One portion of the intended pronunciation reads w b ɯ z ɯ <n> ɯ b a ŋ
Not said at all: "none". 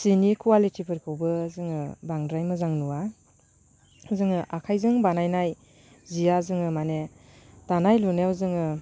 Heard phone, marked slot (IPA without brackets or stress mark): ŋ